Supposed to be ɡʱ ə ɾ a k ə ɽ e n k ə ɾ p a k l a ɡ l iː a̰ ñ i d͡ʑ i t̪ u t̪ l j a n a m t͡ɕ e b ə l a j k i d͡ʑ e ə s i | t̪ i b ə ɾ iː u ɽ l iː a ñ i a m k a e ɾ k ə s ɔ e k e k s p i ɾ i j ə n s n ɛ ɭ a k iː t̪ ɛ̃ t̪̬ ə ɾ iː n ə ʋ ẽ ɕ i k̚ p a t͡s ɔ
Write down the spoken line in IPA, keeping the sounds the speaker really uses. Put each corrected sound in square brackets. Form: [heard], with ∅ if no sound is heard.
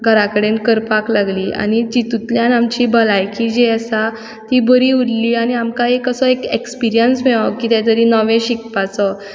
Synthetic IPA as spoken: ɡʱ ə ɾ a k ə ɽ e n k ə ɾ p a k l a ɡ l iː a̰ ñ i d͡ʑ i t̪ u t̪ l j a n a m t͡ɕ [i] b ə l a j k i d͡ʑ e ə s [a] | t̪ i b ə ɾ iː u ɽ l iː a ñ i a m k a e [∅] k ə s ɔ e k e k s p i ɾ i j ə n s [m] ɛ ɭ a k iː t̪ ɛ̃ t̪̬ ə ɾ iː n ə ʋ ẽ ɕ i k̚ p a t͡s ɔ

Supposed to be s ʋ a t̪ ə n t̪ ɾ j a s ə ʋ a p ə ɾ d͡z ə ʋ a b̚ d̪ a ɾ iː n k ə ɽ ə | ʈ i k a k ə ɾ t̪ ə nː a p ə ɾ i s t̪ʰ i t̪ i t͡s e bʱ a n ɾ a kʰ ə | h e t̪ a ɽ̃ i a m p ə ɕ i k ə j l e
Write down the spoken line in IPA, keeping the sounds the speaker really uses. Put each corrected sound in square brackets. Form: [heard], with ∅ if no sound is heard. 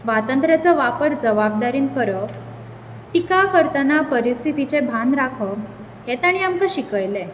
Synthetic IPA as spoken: s ʋ a t̪ ə n t̪ ɾ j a [t͡s] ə ʋ a p ə ɾ d͡z ə ʋ a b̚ d̪ a ɾ iː n k ə [ɾ] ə | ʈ i k a k ə ɾ t̪ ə [n] a p ə ɾ i s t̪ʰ i t̪ i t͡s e bʱ a n ɾ a kʰ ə | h e t̪ a ɽ̃ i a m [k] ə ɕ i k ə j l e

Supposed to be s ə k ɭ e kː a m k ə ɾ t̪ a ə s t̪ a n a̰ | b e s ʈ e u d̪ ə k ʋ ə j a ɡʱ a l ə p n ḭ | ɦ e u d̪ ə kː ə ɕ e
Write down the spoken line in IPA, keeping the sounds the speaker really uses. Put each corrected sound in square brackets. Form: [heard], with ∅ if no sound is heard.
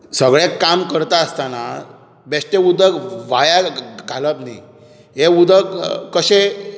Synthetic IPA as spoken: s ə [ɡ] ɭ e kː a m k ə ɾ t̪ a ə s t̪ a n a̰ | b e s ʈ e u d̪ ə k ʋ [a] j a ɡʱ a l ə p n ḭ | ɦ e u d̪ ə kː ə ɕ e

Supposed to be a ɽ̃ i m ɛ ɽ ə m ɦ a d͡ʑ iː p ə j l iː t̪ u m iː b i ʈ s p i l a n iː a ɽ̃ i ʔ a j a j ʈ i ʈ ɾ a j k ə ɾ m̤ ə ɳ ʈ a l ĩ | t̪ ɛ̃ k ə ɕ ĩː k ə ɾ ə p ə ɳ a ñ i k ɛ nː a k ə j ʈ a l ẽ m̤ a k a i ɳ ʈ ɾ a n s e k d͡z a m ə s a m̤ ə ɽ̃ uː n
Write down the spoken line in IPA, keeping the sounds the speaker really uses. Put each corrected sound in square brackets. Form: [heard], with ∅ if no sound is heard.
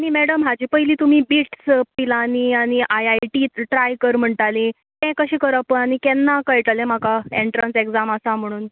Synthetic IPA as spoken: a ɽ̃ i m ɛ ɽ ə m ɦ a d͡ʑ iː p ə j l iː t̪ u m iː b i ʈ s p i l a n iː a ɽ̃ i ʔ a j a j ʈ i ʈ ɾ a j k ə ɾ m̤ ə ɳ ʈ a l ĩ | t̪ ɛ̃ k ə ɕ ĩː k ə ɾ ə p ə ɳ a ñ i k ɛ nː a k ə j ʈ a l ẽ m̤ a k a [e] ɳ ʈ ɾ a n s e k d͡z a m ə s a m̤ ə ɽ̃ uː n

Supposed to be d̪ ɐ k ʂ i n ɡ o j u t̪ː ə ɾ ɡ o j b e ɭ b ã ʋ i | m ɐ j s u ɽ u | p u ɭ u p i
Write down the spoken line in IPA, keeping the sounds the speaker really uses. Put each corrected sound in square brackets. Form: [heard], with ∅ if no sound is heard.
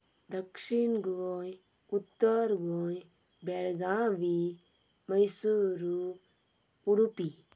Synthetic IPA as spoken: d̪ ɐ k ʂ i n ɡ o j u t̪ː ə ɾ ɡ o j b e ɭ [ɡ] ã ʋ i | m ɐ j s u [ɾ] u | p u [ɽ] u p i

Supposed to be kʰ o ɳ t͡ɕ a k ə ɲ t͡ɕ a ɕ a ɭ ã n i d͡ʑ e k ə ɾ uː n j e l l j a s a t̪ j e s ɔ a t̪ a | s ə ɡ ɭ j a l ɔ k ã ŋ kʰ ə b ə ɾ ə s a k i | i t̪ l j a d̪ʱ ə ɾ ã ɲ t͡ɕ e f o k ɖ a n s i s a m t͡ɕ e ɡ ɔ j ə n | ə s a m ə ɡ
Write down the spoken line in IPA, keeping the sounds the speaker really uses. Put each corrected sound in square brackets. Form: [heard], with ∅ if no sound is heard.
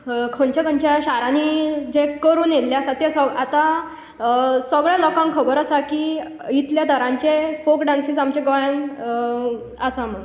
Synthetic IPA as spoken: kʰ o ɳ t͡ɕ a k ə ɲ t͡ɕ a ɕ a [ɾ] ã n i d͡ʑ e k ə ɾ uː n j e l l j a s a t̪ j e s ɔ a t̪ a | s ə ɡ ɭ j a l ɔ k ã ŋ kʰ ə b ə ɾ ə s a k i | i t̪ l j a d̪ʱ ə ɾ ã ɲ t͡ɕ e f o k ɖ a n s i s a m t͡ɕ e ɡ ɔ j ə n | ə s a m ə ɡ

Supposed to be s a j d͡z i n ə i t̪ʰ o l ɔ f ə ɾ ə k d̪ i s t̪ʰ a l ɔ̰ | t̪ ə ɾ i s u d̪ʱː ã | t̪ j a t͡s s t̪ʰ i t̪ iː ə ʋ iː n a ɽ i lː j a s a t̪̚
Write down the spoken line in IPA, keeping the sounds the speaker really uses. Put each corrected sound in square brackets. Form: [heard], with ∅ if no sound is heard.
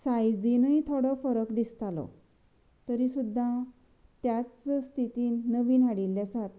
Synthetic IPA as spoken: s a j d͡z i n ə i t̪ʰ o [ɽ] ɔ f ə ɾ ə k d̪ i s [t̪] a l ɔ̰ | t̪ ə ɾ i s u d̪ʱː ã | t̪ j a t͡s s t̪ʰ i t̪ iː ə ʋ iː n a ɽ i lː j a s a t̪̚

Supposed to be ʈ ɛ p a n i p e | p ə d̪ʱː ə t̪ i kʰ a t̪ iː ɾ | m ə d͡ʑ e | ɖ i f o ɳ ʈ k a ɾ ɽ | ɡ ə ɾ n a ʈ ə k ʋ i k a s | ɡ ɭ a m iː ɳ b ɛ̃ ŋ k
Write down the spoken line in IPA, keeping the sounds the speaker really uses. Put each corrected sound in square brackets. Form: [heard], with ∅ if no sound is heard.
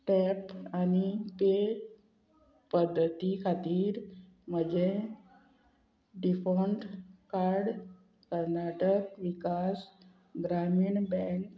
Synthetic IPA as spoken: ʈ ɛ p a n i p e | p ə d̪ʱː ə t̪ i kʰ a t̪ iː ɾ | m ə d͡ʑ e | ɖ i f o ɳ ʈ k a ɾ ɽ | [k] ə ɾ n a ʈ ə k ʋ i k a s | ɡ [ɾ] a m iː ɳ b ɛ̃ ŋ k

